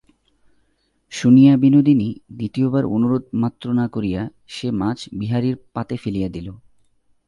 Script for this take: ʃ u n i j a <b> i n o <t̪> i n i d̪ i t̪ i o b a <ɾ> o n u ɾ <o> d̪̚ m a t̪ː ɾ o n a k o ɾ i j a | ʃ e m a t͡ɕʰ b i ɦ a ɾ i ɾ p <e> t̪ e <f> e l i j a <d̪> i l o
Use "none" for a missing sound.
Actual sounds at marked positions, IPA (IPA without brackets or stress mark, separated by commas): b, d̪, ɾ, o, a, f, d̪